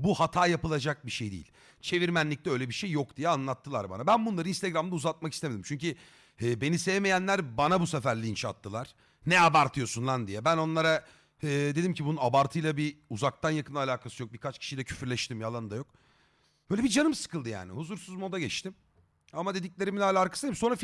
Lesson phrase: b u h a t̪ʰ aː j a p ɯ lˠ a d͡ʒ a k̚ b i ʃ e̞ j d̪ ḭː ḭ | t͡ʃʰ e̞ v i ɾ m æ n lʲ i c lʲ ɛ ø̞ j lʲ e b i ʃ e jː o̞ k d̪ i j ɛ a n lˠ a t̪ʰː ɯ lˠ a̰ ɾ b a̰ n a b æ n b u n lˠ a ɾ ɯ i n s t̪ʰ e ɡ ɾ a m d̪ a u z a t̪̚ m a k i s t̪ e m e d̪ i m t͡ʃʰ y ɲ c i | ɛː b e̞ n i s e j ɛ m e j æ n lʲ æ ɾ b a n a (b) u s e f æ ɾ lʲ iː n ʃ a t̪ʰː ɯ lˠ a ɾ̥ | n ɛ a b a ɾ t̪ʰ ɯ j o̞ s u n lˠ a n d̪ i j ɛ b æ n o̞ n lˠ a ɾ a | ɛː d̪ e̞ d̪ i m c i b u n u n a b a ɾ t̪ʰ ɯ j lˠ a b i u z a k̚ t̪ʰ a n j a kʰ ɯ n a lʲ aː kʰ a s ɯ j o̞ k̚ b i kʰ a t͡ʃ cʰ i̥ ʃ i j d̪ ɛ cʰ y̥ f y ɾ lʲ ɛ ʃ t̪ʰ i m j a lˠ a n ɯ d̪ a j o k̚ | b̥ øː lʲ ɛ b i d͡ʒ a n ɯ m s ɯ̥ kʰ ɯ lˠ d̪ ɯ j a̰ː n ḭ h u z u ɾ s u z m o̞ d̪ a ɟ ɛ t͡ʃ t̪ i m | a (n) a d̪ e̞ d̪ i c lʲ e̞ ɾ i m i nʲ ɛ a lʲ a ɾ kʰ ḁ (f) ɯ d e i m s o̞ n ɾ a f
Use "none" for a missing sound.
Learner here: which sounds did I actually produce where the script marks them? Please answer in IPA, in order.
b, m, s

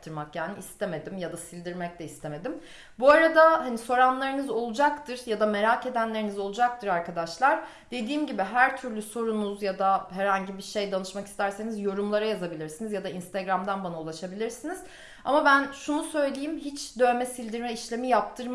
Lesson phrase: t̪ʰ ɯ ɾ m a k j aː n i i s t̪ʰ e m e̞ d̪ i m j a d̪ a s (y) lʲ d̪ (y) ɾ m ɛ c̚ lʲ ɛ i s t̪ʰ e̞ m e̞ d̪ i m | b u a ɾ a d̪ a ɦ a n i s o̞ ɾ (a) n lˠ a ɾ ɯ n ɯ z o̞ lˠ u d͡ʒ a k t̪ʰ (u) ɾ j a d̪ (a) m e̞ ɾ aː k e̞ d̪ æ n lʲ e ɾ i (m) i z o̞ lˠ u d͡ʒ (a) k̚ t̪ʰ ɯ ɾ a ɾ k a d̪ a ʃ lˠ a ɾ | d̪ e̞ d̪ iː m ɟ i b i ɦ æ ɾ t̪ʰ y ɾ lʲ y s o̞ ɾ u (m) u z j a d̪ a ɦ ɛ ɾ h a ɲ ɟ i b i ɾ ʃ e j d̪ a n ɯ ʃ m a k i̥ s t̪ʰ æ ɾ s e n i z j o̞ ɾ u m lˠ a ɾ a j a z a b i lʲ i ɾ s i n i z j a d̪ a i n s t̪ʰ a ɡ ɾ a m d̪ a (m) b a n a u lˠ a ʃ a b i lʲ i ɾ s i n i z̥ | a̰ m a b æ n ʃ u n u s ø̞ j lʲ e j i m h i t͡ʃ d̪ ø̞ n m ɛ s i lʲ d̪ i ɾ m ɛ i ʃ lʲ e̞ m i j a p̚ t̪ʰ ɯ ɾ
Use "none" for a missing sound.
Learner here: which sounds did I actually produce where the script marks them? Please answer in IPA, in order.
i, i, a, ɯ, a, n, a, n, n

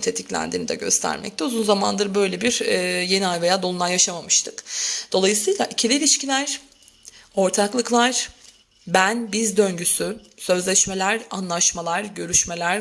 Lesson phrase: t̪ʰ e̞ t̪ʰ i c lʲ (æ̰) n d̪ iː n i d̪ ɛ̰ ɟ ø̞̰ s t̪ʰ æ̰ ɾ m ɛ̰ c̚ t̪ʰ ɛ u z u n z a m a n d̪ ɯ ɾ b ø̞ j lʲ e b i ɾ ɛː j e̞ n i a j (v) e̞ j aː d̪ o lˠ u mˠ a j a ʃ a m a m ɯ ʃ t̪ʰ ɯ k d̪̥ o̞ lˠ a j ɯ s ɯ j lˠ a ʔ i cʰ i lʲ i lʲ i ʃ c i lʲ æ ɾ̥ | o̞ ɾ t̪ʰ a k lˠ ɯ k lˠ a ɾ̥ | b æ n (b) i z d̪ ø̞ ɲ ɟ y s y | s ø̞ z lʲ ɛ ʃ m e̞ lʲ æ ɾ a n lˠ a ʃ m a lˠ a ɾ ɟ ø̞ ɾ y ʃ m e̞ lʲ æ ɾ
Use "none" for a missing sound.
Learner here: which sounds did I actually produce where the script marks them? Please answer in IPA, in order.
æ̰, v, b

